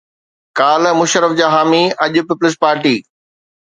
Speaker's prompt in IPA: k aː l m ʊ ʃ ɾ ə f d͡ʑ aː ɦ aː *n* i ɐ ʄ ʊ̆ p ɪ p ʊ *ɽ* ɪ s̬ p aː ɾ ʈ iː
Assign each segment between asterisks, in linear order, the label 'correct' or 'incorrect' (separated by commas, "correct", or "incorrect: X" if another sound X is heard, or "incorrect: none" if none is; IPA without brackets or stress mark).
incorrect: m, incorrect: l